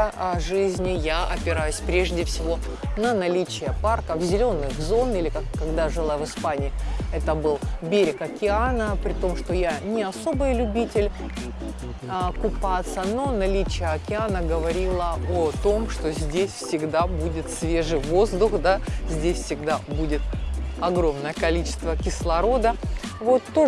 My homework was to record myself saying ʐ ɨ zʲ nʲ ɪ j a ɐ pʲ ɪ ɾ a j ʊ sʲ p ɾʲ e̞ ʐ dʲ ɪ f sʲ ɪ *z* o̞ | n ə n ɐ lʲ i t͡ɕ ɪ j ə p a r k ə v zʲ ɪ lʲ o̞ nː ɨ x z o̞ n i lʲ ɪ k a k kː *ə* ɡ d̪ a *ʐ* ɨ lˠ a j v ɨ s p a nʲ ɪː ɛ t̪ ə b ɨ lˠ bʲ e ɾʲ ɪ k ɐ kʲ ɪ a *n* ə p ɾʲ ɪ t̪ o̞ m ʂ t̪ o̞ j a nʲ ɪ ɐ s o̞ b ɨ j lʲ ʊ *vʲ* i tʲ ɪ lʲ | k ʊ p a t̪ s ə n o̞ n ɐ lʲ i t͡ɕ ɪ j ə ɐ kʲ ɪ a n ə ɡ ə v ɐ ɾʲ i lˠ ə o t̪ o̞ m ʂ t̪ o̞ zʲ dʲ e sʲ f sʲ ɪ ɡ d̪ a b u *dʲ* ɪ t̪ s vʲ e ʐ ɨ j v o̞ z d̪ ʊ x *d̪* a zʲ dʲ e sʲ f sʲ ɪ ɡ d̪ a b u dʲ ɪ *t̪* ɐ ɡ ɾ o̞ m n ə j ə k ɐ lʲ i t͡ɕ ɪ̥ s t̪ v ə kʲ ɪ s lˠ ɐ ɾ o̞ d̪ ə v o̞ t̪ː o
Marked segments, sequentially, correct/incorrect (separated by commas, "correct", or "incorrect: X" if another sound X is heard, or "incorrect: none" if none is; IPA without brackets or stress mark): incorrect: v, incorrect: ɐ, correct, correct, incorrect: bʲ, correct, correct, correct